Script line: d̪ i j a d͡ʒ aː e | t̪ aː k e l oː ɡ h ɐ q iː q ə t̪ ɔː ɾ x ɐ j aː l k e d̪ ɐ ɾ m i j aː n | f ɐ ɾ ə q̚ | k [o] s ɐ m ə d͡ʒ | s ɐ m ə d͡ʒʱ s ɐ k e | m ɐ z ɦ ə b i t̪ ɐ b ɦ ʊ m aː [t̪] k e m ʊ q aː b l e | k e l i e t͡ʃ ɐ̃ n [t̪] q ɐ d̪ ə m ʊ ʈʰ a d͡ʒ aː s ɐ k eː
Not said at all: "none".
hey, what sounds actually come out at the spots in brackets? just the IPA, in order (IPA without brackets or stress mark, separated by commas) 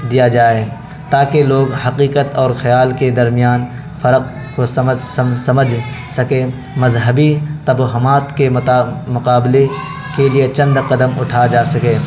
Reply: o, t̪, d̪